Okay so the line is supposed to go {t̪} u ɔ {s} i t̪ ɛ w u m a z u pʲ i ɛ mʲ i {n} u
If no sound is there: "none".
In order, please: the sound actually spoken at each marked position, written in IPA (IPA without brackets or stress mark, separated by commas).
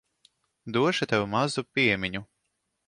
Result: d̪, ʃ, ɲ